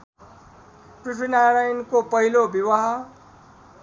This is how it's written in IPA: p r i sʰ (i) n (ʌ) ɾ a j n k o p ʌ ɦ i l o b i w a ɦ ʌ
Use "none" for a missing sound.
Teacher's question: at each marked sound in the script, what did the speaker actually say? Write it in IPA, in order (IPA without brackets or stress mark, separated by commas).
i, a